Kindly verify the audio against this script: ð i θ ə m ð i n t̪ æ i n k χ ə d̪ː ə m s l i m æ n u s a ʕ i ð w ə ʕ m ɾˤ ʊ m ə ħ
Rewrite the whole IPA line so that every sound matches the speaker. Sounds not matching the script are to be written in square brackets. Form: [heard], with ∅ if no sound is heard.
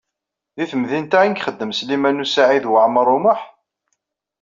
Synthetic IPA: ð i θ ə m ð i n t̪ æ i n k χ ə d̪ː ə m s l i m æ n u s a ʕ i ð w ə ʕ m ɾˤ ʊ m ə ħ